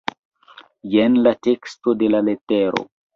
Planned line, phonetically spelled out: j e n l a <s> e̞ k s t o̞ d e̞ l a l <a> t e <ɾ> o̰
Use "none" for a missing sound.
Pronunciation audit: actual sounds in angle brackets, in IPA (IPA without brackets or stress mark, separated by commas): t, e, ɾ